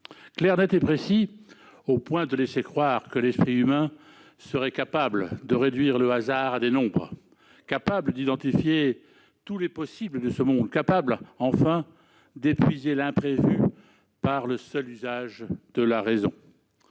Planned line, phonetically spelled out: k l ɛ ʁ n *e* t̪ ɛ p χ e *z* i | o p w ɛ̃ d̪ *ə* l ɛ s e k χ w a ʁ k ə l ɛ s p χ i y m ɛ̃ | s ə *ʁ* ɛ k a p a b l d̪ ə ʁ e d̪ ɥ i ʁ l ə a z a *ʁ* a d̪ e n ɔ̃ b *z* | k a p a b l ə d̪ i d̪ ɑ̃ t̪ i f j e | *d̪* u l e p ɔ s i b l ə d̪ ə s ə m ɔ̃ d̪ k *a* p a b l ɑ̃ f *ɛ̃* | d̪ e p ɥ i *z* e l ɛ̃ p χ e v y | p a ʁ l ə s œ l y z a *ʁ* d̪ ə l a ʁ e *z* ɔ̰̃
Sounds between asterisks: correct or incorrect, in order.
incorrect: ɛ, incorrect: s, correct, correct, correct, incorrect: ʁ, incorrect: t̪, correct, correct, correct, incorrect: ʒ, correct

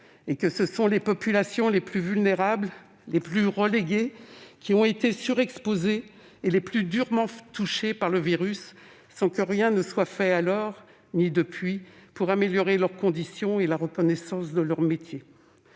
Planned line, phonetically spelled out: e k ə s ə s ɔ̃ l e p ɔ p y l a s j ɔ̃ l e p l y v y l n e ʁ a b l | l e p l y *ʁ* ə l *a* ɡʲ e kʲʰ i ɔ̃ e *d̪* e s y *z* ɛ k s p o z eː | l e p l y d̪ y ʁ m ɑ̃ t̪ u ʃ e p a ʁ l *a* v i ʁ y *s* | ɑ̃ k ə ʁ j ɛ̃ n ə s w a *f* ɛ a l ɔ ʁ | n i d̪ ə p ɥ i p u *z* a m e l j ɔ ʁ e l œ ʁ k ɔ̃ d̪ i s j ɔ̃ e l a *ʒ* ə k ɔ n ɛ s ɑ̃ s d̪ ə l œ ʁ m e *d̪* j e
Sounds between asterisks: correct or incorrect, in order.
correct, incorrect: e, incorrect: t̪, incorrect: ʁ, incorrect: ə, incorrect: sː, correct, incorrect: ʁ, incorrect: ʁ, incorrect: t̪

